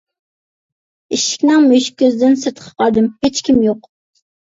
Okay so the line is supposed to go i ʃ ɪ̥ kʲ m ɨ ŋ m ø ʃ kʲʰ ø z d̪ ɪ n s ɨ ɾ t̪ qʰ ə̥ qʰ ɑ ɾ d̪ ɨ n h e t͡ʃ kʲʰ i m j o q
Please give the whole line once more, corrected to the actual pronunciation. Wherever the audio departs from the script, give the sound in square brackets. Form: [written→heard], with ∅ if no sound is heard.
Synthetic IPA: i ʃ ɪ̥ kʲ [m→n] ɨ ŋ m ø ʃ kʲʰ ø z d̪ ɪ n s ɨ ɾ t̪ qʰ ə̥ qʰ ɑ ɾ d̪ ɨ [n→m] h e t͡ʃ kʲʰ i m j o q